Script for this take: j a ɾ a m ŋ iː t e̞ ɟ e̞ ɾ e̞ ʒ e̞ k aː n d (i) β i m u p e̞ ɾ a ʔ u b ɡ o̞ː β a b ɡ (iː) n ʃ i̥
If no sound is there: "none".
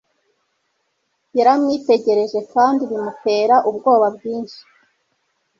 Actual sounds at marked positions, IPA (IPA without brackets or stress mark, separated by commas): i, iː